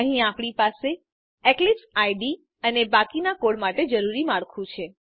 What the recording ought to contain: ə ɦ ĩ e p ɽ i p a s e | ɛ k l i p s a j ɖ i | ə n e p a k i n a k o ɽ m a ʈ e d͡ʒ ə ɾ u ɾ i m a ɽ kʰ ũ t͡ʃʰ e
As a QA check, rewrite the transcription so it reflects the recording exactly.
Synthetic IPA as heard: ə ɦ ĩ a p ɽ i p a s e | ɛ k l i p s a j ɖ i | ə n e b a k i n a k o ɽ m a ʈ e d͡ʒ ə ɾ u ɾ i m a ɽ kʰ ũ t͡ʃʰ e